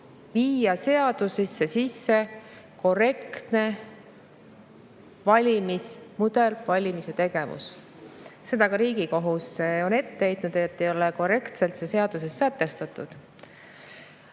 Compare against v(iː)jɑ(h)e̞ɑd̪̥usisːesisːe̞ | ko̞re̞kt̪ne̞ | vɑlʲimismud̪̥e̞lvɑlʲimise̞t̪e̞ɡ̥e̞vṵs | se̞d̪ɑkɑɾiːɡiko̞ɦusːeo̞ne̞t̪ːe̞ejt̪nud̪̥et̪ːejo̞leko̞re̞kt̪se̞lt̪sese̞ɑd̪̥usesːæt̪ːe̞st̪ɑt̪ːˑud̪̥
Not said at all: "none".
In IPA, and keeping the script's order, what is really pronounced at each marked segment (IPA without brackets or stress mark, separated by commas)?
iː, s